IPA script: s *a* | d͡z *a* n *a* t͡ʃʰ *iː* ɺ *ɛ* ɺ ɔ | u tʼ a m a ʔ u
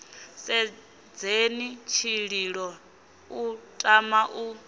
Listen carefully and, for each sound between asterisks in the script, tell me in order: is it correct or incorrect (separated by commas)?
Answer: incorrect, incorrect, incorrect, incorrect, incorrect